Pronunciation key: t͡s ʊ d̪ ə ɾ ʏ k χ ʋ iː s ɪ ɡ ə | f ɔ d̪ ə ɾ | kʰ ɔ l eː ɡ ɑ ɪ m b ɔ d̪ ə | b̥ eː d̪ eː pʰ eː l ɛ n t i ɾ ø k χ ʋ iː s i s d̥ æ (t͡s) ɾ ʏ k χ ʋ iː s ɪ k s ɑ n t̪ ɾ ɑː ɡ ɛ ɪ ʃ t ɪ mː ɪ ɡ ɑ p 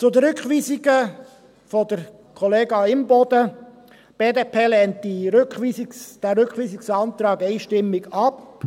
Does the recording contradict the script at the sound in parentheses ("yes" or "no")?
yes